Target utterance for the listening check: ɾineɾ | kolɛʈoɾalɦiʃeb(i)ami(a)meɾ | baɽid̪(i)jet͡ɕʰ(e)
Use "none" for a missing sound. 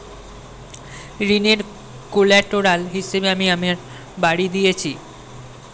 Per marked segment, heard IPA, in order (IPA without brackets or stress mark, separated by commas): e, a, i, i